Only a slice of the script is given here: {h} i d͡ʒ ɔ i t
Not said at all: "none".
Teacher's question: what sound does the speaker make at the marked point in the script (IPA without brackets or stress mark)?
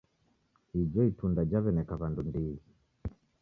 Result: h